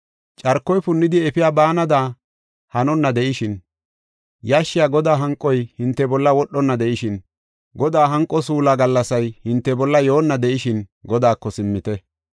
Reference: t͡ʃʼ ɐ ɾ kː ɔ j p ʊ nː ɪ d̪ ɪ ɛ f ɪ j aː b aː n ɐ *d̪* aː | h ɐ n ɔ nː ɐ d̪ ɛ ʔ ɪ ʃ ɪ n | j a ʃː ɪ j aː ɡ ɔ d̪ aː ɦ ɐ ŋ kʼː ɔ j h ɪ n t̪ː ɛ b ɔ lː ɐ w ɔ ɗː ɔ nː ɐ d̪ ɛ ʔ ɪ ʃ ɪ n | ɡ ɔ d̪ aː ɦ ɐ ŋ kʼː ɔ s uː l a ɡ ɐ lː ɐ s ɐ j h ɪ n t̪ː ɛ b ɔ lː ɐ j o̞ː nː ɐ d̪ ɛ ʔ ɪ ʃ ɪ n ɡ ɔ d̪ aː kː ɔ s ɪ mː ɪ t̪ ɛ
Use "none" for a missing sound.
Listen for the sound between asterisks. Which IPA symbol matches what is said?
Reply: d̪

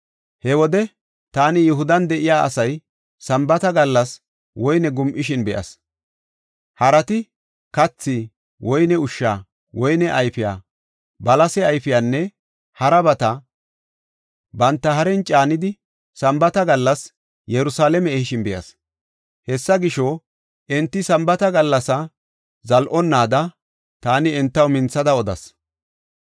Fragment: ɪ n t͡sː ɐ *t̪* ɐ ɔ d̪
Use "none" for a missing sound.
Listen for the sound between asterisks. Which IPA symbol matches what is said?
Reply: d̪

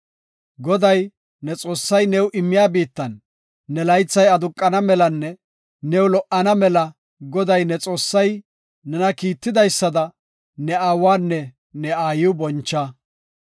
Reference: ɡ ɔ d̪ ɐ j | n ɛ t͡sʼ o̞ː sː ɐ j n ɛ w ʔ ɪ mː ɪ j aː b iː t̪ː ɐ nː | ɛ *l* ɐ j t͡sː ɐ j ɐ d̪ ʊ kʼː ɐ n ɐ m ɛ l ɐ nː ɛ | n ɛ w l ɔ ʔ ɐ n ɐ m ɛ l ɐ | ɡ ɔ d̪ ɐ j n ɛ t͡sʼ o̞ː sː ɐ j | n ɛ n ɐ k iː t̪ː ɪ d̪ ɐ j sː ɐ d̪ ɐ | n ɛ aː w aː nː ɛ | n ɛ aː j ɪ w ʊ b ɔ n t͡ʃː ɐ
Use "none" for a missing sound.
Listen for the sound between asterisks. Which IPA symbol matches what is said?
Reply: l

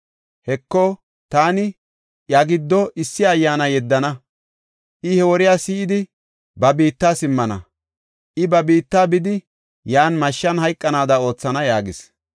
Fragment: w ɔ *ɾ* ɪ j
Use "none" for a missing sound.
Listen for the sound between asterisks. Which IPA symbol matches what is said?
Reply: ɾ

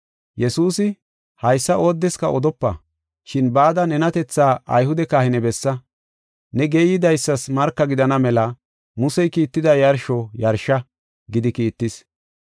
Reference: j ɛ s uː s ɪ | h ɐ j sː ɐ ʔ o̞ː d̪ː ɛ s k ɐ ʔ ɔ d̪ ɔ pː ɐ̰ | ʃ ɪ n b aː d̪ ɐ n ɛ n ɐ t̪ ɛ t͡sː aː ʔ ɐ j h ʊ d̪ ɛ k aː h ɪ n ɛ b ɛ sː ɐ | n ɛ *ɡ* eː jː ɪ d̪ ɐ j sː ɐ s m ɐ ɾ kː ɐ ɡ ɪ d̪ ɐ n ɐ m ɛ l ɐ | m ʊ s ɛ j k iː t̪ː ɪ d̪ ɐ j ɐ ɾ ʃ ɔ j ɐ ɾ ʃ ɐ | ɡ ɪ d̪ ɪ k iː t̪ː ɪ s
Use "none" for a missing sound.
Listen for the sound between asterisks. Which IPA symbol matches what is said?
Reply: ɡ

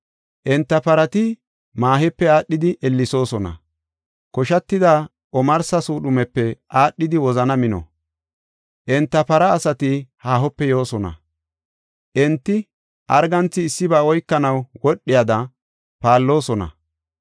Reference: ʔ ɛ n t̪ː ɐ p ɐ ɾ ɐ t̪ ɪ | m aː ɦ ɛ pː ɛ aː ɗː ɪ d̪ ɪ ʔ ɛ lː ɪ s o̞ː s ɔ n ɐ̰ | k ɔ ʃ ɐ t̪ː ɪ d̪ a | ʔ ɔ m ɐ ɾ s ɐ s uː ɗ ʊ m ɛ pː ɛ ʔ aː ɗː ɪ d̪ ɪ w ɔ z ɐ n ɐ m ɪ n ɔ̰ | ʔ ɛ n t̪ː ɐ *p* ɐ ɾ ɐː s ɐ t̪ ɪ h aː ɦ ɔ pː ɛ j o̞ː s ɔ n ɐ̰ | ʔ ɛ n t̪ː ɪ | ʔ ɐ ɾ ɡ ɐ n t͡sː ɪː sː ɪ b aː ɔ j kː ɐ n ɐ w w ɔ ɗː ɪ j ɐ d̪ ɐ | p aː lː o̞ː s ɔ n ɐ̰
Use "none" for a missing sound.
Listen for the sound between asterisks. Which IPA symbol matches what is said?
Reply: p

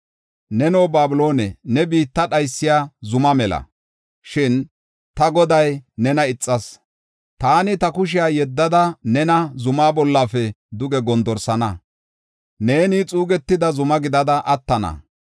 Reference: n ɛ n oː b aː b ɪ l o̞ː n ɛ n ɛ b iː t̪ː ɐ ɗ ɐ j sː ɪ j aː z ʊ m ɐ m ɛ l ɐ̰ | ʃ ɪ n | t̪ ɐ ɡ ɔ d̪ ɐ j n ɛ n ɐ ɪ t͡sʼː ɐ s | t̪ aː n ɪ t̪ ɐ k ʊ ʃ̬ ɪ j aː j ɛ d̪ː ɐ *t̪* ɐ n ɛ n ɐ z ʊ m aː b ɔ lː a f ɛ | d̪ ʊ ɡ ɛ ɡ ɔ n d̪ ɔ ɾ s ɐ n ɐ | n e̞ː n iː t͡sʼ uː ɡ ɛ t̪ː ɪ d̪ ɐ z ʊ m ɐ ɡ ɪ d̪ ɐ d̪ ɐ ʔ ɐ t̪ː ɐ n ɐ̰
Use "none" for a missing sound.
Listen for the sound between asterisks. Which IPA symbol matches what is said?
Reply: d̪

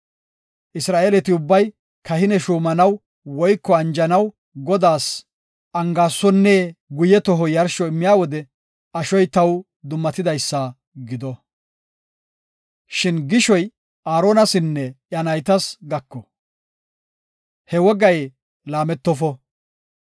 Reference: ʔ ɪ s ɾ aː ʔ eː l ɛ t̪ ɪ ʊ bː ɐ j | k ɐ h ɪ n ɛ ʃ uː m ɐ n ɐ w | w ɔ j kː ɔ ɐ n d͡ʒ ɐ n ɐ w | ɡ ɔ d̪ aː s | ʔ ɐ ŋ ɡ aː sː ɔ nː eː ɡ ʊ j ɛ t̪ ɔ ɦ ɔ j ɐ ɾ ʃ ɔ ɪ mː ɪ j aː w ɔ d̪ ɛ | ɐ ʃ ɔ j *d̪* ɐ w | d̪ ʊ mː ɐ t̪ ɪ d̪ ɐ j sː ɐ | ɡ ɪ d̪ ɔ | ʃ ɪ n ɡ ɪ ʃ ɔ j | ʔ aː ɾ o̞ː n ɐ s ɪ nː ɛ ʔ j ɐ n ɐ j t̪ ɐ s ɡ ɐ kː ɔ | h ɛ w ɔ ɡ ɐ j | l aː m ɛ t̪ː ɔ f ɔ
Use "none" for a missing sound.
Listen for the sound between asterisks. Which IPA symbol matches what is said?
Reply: t̪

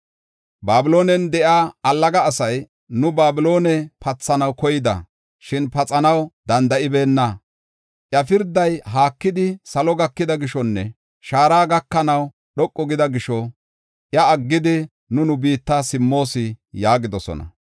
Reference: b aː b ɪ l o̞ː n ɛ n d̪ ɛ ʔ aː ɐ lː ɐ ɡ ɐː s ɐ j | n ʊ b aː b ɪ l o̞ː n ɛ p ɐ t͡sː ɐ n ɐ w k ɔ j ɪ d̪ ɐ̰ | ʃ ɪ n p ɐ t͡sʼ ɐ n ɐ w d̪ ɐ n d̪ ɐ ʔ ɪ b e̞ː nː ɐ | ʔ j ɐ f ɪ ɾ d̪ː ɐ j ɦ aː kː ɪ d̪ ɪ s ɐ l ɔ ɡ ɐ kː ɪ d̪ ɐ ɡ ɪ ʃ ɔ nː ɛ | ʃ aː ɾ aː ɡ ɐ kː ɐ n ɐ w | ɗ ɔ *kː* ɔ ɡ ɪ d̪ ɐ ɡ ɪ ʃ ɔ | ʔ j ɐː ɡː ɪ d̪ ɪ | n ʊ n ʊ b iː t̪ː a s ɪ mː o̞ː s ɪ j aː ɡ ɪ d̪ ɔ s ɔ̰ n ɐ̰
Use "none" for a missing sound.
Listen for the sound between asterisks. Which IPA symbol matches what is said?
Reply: kʼː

